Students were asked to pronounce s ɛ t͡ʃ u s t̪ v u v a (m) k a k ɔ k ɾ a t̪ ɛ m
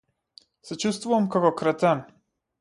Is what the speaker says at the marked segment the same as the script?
yes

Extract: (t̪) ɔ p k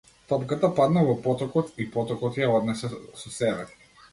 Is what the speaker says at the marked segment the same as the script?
yes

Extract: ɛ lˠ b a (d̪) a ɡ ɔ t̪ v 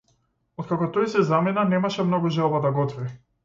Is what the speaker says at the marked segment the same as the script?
yes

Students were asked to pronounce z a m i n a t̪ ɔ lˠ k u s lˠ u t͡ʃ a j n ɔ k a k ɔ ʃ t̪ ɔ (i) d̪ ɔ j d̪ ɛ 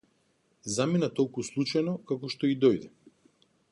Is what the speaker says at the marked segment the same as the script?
yes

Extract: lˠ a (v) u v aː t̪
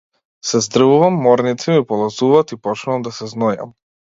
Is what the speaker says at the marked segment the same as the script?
no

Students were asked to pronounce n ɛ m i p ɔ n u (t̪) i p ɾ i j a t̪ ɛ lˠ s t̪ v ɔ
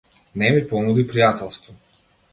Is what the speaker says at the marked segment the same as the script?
no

